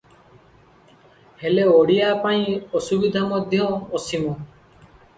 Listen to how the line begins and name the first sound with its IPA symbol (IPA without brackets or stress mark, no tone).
h